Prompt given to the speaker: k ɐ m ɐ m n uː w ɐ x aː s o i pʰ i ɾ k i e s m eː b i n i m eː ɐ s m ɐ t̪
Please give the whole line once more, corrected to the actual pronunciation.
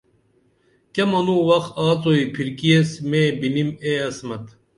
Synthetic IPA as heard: k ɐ m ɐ n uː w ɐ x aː t͡s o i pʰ i ɾ k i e s m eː b i n i m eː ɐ s m ɐ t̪